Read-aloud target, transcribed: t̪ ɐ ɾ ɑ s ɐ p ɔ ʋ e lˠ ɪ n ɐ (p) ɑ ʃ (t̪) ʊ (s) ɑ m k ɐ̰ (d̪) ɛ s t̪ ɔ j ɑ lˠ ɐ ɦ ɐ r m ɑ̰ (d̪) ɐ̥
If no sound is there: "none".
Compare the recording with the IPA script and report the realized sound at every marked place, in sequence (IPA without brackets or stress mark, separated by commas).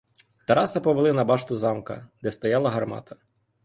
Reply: b, t̪, z, d̪, t̪